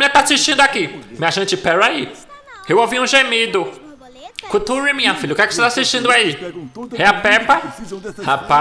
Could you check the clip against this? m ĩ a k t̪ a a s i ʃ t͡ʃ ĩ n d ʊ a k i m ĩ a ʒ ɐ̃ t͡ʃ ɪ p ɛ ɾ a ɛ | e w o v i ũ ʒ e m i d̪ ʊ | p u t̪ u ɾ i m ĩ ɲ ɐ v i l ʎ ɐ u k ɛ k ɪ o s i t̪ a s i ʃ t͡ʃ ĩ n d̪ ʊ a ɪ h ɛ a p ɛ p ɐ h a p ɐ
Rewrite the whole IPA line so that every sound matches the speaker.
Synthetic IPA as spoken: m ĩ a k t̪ a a s i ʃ t͡ʃ ĩ n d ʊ a k i m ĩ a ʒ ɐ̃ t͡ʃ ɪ p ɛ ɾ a i | e w o v i ũ ʒ e m i d̪ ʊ | k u t̪ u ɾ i m ĩ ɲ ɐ f i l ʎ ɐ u k ɛ k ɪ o s e t̪ a s i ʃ t͡ʃ ĩ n d̪ ʊ a i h ɛ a p ɛ p ɐ h a p a